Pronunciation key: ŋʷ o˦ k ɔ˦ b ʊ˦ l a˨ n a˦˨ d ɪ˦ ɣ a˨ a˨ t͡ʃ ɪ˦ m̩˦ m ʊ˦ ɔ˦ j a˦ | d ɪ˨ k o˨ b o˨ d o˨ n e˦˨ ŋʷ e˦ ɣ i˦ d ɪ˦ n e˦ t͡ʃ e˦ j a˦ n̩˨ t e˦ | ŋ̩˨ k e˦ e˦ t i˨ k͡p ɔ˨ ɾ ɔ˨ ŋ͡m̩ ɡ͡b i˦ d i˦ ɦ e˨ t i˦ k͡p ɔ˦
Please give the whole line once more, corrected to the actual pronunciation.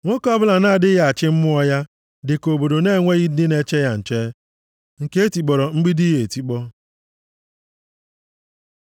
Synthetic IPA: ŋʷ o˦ k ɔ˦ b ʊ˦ l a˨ n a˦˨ d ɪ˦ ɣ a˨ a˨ t͡ʃ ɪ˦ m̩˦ m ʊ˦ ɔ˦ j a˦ | d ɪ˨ k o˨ b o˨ d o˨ n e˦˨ ŋʷ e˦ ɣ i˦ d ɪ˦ n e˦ t͡ʃ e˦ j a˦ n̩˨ t͡ʃ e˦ | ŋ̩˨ k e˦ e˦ t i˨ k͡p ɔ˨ ɾ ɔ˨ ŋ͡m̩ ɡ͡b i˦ d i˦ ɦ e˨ t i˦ k͡p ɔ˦